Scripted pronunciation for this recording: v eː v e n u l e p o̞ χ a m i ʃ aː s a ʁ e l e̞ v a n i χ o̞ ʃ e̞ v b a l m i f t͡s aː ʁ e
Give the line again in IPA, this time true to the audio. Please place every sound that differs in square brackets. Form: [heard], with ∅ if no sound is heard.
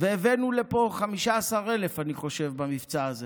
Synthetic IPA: v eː v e n u l e p o̞ χ a m i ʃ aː s a ʁ e l e̞ [f] a n i χ o̞ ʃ e̞ v b a [∅] m i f t͡s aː [z] e

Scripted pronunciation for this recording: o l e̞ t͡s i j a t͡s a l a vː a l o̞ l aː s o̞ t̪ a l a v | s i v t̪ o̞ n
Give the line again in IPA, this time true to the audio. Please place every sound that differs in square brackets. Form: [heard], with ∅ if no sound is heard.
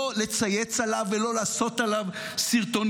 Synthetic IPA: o l e̞ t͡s [a] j [e] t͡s a l a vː [e] l o̞ l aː s o̞ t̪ a l a v | s i [ʁ] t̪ o̞ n

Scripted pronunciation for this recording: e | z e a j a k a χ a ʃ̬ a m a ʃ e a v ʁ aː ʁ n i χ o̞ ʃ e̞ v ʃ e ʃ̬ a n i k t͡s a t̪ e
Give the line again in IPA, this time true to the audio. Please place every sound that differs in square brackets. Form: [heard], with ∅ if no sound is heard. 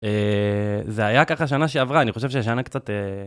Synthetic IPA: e | z e a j a k a χ a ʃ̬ a [n] a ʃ e a v ʁ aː [∅] n i χ o̞ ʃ e̞ v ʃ e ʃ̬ a n [a] k t͡s a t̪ e

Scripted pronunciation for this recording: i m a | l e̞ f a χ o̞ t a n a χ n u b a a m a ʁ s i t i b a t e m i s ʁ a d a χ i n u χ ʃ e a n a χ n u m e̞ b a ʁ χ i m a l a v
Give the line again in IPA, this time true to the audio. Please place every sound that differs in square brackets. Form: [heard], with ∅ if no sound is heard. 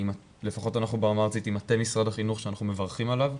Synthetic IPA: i m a | l e̞ f a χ o̞ t a n a χ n u b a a m a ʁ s i t i [m] a t e m i s ʁ a d a χ i n u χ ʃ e a n a χ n u m e̞ [v] a ʁ χ i m a l a v

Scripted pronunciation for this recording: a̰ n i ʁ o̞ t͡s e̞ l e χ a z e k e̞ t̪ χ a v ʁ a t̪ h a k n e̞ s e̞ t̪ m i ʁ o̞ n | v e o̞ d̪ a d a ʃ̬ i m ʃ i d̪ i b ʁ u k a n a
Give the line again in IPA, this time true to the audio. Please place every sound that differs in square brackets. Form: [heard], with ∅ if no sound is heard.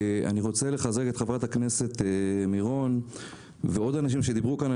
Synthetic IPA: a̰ n i ʁ o̞ t͡s e̞ l e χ a z e k e̞ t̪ χ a v ʁ a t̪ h a k n e̞ s e̞ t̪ m i ʁ o̞ n | v e o̞ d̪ a [n] a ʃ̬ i m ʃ [e] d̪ i b ʁ u k a n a

